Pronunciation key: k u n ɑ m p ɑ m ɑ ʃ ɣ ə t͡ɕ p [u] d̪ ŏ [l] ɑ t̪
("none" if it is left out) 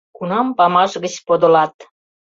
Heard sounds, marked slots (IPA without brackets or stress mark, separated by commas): o, l